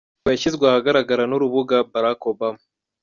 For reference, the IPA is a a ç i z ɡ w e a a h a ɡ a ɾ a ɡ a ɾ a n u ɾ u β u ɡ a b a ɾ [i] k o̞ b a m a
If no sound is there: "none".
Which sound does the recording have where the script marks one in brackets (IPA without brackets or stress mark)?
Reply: a